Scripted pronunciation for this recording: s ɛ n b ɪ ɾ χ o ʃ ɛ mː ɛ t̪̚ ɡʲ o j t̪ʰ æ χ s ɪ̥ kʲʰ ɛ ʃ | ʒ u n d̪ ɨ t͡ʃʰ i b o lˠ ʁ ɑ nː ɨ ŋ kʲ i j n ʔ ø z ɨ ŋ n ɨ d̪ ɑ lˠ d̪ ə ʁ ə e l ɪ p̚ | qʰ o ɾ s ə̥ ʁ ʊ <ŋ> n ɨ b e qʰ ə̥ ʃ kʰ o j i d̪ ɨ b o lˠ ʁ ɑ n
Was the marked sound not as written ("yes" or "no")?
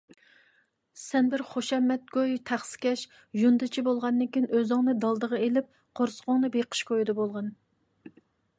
no